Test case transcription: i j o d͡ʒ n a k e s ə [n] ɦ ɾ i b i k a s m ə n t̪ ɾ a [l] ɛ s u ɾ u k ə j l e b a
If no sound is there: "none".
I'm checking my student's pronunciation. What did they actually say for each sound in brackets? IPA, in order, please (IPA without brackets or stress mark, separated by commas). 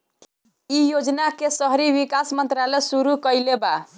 none, l